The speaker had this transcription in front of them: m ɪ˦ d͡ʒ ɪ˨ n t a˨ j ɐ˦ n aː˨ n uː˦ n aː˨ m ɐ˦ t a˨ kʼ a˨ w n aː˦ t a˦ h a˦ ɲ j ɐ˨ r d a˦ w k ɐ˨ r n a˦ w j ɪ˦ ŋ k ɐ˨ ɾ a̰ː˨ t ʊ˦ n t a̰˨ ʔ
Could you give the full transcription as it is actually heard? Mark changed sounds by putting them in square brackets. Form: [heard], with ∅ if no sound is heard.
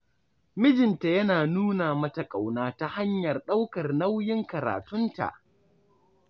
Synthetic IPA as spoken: m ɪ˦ d͡ʒ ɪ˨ n t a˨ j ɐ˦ n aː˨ n uː˦ n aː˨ m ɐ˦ t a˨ kʼ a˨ w n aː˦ t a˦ h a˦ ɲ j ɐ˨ r [ɗ] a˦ w k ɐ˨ r n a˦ w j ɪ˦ ŋ k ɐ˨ ɾ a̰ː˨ t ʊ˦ n t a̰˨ ʔ

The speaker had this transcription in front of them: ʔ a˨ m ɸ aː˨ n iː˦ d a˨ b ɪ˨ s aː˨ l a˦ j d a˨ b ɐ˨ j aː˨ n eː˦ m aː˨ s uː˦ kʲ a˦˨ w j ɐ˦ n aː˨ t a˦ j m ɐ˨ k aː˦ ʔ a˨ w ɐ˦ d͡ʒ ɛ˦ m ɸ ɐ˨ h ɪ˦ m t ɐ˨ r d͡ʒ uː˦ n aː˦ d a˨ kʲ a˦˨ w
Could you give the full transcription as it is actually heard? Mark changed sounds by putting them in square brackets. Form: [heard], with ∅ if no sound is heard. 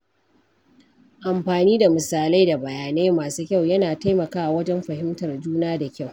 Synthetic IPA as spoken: ʔ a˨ m ɸ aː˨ n iː˦ d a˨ [m] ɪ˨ s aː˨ l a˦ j d a˨ b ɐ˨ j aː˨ n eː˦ m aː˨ s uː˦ kʲ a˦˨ w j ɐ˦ n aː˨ t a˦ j m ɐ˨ k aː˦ ʔ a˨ w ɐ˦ d͡ʒ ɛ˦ m ɸ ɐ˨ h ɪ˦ m t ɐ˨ r d͡ʒ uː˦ n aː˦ d a˨ kʲ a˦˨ w

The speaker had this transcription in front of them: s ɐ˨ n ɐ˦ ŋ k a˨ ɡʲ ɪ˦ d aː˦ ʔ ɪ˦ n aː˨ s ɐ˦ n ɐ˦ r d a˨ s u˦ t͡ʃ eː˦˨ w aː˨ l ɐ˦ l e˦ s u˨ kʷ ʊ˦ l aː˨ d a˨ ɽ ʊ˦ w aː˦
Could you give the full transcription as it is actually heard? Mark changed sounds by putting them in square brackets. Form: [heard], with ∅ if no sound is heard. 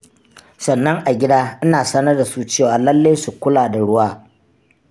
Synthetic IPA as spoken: s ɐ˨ [nː] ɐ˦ ŋ [ʔ] a˨ ɡʲ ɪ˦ d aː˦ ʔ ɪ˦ n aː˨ s ɐ˦ n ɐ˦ r d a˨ s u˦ t͡ʃ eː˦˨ w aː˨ l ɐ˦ [lː] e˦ s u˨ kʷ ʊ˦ l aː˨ d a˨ ɽ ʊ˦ w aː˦

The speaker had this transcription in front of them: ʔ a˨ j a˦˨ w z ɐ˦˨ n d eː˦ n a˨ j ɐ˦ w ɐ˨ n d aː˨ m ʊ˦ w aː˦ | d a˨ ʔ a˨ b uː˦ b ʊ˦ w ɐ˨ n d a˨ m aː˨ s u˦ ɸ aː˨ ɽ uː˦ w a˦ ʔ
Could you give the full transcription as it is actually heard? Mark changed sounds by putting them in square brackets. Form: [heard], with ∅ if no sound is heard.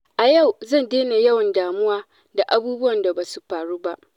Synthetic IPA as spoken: ʔ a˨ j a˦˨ w z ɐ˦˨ n d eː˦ n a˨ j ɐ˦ w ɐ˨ n d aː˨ m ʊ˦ w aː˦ | d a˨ ʔ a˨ b uː˦ b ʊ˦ w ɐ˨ n d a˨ [b] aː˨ s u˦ ɸ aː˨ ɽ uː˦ [b] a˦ ʔ

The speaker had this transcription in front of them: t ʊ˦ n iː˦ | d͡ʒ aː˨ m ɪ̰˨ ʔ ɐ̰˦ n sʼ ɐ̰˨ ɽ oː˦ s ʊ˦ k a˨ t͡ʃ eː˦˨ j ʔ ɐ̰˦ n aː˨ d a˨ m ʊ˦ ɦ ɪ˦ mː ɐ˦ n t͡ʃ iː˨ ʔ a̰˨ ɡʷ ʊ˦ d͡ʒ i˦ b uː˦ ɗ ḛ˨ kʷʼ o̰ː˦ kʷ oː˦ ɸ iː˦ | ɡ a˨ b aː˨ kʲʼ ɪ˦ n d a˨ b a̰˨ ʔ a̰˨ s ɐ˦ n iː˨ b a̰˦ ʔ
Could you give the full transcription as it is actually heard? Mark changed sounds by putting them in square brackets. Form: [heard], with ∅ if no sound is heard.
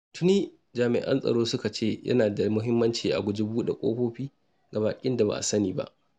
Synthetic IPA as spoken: t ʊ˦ n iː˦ | d͡ʒ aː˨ m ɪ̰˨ ʔ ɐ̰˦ n sʼ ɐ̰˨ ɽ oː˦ s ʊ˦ k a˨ t͡ʃ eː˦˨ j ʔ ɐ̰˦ n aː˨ d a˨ m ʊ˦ ɦ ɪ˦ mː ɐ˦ n t͡ʃ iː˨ ʔ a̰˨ ɡʷ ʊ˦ d͡ʒ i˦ b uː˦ ɗ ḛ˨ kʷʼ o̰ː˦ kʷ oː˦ ɸ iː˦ | ɡ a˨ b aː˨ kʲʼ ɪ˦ n d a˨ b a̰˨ ʔ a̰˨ s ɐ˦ n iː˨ b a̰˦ ʔ

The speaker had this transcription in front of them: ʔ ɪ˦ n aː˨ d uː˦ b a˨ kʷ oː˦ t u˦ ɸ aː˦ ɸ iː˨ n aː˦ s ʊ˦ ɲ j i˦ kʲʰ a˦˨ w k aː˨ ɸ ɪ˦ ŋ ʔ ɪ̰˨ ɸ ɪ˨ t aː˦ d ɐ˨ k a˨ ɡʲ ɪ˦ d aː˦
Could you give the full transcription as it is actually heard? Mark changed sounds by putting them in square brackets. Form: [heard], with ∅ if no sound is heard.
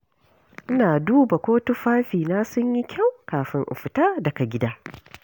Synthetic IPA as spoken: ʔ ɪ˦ n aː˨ d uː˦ b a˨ kʷ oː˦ t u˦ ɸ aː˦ ɸ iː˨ n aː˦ s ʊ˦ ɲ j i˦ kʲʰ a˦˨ w k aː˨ ɸ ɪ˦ ŋ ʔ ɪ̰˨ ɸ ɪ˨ t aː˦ d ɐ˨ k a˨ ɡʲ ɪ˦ d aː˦

